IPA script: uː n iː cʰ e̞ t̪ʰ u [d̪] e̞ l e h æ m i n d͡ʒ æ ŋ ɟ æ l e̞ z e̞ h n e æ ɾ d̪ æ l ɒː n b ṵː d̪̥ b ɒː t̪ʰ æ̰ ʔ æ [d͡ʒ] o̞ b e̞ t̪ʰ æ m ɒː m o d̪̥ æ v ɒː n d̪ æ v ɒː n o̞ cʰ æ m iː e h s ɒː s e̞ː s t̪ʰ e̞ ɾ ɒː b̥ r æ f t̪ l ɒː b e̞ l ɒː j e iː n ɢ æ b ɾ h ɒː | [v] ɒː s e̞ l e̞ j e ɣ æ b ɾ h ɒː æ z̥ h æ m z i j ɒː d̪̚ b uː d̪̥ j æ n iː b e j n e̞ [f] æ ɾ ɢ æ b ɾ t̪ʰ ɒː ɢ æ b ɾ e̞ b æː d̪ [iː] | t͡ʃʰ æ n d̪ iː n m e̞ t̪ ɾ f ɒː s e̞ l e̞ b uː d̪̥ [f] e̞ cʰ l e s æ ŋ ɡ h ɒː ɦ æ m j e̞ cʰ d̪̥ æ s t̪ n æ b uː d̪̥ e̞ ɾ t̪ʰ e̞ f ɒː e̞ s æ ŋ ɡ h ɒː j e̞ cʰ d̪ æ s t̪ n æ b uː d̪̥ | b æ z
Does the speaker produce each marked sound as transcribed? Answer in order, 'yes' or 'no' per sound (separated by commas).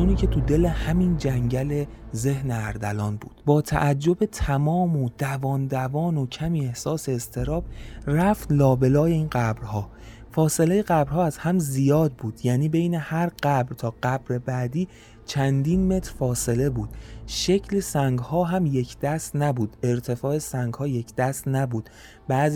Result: yes, no, no, no, yes, no